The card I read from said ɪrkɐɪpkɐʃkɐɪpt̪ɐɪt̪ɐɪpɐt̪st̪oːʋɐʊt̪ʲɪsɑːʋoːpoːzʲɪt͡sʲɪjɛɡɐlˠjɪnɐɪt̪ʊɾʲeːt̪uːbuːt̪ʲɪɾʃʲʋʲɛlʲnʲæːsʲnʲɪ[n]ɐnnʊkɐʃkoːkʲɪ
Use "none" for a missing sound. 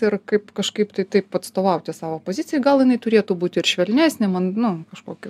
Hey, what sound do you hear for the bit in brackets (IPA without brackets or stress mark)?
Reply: m